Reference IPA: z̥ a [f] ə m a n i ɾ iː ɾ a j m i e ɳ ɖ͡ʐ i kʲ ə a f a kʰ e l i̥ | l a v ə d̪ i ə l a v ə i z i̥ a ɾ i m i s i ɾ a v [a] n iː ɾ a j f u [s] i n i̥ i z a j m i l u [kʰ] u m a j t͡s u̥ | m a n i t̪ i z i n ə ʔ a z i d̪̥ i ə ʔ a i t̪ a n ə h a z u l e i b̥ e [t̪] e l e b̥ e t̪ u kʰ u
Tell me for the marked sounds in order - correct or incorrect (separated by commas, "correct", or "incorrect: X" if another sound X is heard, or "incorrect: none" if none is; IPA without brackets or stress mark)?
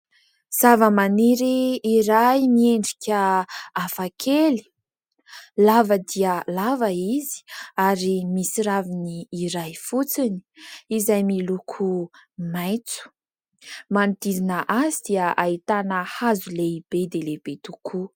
incorrect: v, incorrect: i, incorrect: t͡s, correct, incorrect: d̪